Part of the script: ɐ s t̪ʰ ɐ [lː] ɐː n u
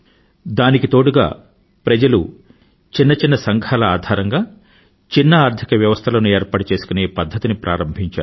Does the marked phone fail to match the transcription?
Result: yes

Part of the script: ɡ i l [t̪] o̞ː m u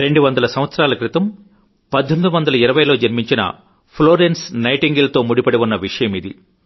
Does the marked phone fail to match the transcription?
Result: no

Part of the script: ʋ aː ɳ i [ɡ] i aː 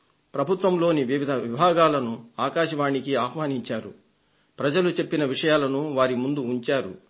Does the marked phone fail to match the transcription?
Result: yes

